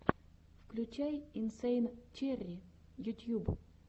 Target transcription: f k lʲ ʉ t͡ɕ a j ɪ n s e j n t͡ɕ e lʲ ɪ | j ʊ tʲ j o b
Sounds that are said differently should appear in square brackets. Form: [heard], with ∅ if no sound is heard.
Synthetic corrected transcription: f k lʲ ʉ t͡ɕ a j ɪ n s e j n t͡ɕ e [rʲ] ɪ | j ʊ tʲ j [u] b